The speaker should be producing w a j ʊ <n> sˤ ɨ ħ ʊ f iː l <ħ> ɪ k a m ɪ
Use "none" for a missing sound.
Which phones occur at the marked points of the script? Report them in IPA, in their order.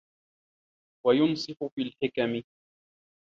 n, ħ

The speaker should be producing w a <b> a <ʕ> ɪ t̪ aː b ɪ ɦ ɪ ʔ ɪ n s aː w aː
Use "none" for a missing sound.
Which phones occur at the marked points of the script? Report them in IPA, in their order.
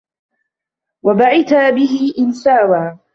b, ʕ

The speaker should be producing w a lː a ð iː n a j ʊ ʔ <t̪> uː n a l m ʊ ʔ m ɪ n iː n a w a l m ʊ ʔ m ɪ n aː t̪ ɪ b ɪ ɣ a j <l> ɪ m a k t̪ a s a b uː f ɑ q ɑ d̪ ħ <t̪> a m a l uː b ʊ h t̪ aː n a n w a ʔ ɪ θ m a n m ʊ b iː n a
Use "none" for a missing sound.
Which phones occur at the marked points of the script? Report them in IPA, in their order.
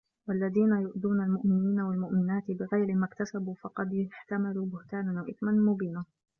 d̪, ɾ, t̪

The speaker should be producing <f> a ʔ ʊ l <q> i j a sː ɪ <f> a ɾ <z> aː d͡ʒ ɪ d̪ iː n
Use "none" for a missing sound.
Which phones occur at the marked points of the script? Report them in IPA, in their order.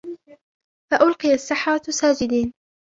f, q, ħ, s

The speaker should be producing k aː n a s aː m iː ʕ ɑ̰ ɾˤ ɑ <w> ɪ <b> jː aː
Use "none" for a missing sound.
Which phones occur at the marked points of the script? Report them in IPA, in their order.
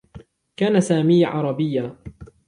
b, none

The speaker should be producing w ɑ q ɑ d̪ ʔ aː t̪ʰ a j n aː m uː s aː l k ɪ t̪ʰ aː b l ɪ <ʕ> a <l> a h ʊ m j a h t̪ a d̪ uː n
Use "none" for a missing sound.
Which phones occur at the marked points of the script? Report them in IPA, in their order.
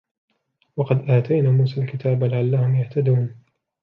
ʕ, lː

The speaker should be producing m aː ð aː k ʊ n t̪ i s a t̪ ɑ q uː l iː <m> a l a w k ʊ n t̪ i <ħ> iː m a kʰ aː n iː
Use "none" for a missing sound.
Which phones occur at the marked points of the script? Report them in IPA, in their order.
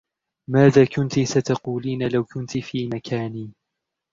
n, f

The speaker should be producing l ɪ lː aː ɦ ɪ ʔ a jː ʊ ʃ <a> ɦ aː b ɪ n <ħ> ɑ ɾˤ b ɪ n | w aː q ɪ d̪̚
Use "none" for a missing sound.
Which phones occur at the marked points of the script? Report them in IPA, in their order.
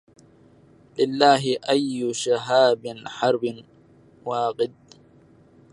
a, ħ

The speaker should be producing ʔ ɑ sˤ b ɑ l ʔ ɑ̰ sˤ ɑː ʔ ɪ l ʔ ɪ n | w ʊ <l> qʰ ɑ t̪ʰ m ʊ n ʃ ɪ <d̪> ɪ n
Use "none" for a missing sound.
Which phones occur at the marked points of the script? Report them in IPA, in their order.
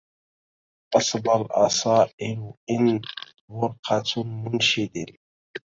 ɾ, d̪

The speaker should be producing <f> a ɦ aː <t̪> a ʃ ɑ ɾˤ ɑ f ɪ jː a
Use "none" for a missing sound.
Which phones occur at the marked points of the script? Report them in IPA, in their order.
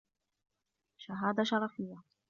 ʃ, d̪

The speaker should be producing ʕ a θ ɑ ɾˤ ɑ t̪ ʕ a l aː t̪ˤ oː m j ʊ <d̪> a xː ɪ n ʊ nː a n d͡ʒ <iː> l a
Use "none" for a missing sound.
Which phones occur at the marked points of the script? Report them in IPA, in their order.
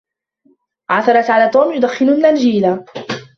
d̪, iː

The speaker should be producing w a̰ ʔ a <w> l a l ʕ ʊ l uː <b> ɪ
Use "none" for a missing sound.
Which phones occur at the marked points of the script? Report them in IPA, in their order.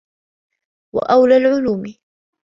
w, m

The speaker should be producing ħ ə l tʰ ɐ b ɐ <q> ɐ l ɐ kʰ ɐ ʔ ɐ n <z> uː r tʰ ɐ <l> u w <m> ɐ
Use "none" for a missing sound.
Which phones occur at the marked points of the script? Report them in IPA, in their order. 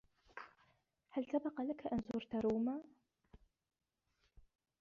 q, z, ɾ, m

